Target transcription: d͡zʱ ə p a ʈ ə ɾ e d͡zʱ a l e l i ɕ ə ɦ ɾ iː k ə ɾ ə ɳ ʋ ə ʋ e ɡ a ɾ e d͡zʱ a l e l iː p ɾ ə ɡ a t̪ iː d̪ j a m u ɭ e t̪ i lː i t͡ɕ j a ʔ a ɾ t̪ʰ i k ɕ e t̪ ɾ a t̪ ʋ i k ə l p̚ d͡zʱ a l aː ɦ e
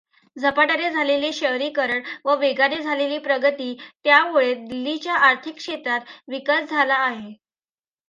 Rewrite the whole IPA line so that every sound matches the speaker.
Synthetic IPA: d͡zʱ ə p a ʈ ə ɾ e d͡zʱ a l e l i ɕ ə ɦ ɾ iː k ə ɾ ə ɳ ʋ ə ʋ e ɡ a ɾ e d͡zʱ a l e l iː p ɾ ə ɡ ə t̪ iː t̪ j a m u ɭ e d̪ i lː i t͡ɕ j a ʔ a ɾ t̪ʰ i k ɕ e t̪ ɾ a t̪ ʋ i k ə l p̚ d͡zʱ a l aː ɦ e

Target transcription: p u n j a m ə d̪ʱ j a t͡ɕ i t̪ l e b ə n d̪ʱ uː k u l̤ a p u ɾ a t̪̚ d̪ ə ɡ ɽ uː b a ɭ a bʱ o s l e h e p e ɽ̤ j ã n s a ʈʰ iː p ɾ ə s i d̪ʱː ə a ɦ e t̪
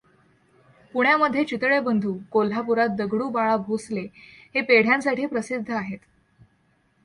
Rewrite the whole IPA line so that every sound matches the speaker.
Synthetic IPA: p u ɳ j a m ə d̪ʱ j e t͡ɕ i t̪ ɭ e b ə n d̪ʱ uː k o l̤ a p u ɾ a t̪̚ d̪ ə ɡ ɽ uː b a ɭ a bʱ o s l e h e p e ɽ̤ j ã n s a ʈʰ iː p ɾ ə s i d̪ʱː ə a ɦ e t̪

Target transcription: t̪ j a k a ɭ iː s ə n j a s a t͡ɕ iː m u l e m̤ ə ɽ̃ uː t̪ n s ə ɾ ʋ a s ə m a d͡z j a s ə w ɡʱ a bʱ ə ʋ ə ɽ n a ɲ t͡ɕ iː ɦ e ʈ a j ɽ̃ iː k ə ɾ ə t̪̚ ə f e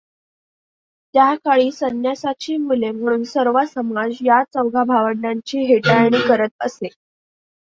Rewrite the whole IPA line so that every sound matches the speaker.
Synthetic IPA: t̪ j a k a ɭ iː s ə n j a s a t͡ɕ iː m u l e m̤ ə ɽ̃ uː n s ə ɾ ʋ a s ə m a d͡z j a t͡s ə w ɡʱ a bʱ a ʋ ə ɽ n a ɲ t͡ɕ iː ɦ e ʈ a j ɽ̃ iː k ə ɾ ə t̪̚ ə s e

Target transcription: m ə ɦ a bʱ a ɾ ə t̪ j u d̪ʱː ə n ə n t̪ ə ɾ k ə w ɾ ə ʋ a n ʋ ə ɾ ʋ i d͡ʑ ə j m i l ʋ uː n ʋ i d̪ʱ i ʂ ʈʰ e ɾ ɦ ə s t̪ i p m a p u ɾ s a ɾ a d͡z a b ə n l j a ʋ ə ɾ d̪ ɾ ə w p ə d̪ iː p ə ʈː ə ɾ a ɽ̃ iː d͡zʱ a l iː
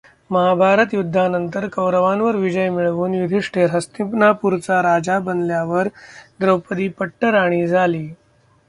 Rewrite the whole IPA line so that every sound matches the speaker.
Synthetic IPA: m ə ɦ a bʱ a ɾ ə t̪ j u d̪ʱː a n ə n t̪ ə ɾ k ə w ɾ ə ʋ a n ʋ ə ɾ ʋ i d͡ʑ ə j m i ɭ ʋ uː n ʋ i d̪ʱ i ʂ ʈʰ e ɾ ɦ ə s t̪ i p n a p u ɾ t͡s a ɾ a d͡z a b ə n l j a ʋ ə ɾ d̪ ɾ ə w p ə d̪ iː p ə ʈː ə ɾ a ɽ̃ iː d͡zʱ a l iː

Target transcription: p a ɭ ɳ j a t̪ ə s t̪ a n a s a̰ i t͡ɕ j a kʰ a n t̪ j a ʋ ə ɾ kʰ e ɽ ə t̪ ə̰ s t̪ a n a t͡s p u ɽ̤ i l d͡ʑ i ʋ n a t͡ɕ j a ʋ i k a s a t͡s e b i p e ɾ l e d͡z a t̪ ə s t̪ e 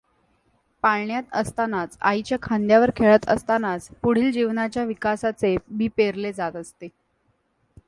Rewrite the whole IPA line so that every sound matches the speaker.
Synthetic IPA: p a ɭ ɳ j a t̪ ə s t̪ a n a t͡s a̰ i t͡ɕ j a kʰ a n d̪ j a ʋ ə ɾ kʰ e ɭ ə t̪ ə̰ s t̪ a n a t͡s p u ɽ̤ iː l d͡ʑ i ʋ n a t͡ɕ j a ʋ i k a s a t͡s e b i p e ɾ l e d͡z a t̪ ə s t̪ e

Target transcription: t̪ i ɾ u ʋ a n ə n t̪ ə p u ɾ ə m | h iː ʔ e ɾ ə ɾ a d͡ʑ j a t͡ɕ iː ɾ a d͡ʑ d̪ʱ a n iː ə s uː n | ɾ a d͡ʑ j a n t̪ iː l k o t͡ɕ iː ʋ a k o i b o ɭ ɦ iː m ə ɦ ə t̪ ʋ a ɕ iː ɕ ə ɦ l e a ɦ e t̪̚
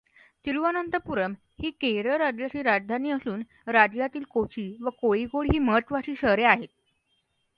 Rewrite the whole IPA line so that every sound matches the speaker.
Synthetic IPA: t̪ i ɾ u ʋ a n ə n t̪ ə p u ɾ ə m | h iː k e ɾ ə ɾ a d͡ʑ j a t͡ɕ iː ɾ a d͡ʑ d̪ʱ a n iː ə s uː n | ɾ a d͡ʑ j a t̪ iː l k o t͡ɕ iː ʋ ə k o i ɡ o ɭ ɦ iː m ə ɦ ə t̪ ʋ a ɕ iː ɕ ə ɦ ɾ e a ɦ e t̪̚

